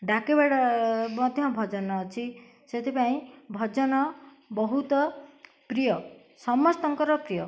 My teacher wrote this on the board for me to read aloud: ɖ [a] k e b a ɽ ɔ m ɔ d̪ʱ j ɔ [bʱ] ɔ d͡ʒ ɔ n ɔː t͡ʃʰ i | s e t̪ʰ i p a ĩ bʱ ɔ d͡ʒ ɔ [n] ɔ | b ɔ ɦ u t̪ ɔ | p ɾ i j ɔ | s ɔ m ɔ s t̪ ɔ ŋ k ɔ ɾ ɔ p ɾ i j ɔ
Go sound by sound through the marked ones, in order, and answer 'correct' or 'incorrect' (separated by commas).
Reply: correct, correct, correct